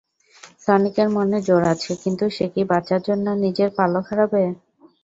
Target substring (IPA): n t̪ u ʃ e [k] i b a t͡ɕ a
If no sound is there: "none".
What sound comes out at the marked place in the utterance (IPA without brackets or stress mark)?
k